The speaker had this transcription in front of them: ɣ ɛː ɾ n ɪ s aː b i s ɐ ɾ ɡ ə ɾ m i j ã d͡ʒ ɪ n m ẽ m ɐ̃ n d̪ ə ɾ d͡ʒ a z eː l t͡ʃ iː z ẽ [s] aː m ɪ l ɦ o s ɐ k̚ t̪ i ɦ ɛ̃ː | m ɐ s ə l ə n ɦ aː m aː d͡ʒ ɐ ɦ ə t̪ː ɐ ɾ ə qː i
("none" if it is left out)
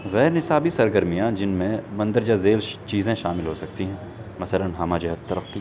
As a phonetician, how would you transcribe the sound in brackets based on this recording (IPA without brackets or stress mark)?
ʃ